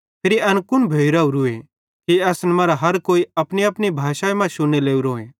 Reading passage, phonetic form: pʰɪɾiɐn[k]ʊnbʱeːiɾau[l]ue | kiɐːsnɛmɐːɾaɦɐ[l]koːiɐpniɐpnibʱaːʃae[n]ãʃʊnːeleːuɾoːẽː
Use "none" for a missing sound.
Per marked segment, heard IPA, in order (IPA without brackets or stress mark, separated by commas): k, ɾ, ɾ, m